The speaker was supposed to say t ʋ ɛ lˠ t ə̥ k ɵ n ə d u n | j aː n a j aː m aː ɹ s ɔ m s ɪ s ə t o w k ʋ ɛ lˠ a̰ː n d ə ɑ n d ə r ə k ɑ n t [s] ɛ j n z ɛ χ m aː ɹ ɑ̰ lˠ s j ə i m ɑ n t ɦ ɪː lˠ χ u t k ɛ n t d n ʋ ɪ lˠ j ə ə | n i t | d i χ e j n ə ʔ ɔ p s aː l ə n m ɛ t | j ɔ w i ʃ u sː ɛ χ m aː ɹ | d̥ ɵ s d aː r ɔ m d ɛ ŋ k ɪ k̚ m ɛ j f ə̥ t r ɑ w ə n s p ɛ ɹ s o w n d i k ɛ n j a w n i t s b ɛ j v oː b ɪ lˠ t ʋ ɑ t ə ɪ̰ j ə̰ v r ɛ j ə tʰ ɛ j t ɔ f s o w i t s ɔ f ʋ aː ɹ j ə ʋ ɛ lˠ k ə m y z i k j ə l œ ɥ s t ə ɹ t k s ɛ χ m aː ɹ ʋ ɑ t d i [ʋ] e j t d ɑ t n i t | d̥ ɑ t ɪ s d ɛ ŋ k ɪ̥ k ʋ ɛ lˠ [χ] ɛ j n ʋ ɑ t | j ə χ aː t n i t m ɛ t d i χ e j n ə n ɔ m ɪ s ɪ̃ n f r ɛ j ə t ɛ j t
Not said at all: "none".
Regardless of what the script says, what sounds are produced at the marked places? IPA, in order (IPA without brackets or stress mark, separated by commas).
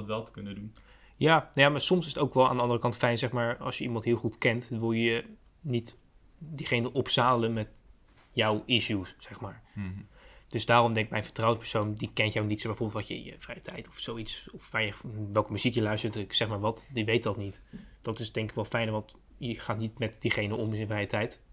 f, ʋ, f